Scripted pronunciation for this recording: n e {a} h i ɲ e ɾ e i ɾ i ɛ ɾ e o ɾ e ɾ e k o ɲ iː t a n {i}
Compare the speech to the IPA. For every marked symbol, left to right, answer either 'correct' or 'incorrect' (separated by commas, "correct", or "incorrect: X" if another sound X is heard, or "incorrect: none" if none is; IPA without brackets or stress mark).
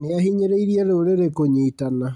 correct, incorrect: a